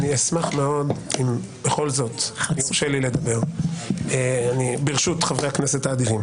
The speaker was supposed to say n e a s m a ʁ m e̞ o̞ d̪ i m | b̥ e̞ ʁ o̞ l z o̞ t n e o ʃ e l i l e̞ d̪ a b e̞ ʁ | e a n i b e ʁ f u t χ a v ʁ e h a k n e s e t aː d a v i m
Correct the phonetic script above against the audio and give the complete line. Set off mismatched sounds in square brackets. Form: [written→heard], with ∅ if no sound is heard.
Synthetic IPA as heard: n [e→i] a s m a [ʁ→χ] m e̞ o̞ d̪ i m | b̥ e̞ [ʁ→χ] o̞ l z o̞ t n [e→i] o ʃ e l i l e̞ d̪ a b e̞ ʁ | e a n i b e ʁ [f→ʃ] u t χ a v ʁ e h a k n e s e t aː d [a→i] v i m